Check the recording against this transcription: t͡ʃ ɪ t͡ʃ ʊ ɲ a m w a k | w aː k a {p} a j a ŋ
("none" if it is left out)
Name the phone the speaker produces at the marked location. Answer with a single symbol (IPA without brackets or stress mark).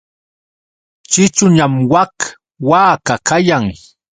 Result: k